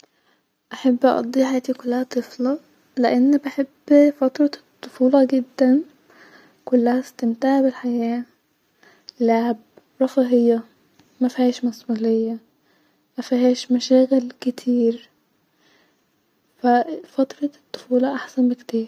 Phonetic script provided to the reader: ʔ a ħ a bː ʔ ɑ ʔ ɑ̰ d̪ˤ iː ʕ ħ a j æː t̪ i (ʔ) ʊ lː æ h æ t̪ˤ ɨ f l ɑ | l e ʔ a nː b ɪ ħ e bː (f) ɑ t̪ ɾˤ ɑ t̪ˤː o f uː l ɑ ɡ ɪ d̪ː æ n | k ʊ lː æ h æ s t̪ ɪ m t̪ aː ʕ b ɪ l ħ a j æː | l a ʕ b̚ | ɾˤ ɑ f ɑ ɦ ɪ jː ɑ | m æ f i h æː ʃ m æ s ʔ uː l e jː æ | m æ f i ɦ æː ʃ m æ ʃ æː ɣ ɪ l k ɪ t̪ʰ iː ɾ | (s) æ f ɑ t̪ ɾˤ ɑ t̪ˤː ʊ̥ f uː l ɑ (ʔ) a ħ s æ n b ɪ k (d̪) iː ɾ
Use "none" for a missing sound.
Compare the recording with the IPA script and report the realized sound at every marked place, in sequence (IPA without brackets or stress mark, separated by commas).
k, f, f, ʔ, t̪